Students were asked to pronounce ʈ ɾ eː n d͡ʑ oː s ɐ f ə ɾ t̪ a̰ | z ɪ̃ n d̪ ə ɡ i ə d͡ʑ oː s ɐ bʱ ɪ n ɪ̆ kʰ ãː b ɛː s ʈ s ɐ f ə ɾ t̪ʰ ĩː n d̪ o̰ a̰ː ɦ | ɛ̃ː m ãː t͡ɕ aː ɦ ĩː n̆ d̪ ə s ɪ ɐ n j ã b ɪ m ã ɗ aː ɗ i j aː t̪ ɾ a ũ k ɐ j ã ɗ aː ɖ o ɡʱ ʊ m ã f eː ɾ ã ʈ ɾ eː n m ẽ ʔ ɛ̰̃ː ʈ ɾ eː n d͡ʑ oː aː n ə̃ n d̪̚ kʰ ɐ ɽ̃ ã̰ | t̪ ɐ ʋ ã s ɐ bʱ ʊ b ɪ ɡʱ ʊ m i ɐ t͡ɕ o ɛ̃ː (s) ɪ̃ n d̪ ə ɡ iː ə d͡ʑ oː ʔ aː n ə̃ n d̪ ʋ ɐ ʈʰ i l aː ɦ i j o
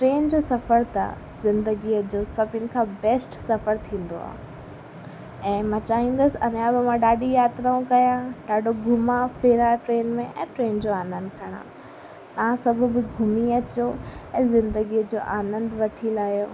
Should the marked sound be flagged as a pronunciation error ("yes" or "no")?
yes